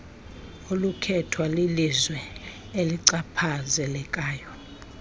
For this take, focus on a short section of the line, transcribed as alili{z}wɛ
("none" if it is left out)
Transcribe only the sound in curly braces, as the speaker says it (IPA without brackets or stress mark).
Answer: z